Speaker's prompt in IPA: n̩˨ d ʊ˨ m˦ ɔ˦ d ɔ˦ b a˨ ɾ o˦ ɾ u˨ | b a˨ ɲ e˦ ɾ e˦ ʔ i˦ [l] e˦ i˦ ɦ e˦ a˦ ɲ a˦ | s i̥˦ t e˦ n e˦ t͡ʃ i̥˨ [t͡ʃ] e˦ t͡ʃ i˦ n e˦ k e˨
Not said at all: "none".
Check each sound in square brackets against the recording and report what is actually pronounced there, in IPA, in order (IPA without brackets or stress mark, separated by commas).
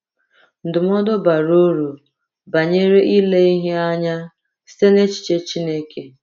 l, t͡ʃ